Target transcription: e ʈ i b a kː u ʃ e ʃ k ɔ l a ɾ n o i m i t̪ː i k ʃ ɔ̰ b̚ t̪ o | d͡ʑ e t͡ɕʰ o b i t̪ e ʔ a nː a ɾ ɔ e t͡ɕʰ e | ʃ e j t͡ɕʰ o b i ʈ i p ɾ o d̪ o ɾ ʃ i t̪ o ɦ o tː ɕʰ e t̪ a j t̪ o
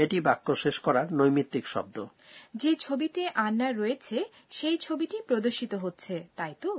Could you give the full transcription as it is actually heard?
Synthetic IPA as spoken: e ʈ i b a kː o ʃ e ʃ k ɔ ɾ a ɾ n o j m i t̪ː i k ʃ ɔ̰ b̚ d̪ o | d͡ʑ e t͡ɕʰ o b i t̪ e ʔ a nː a ɾ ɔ e t͡ɕʰ e | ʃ e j t͡ɕʰ o b i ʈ i p ɾ o d̪ o ɾ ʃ i t̪ o ɦ o tː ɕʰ e t̪ a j t̪ o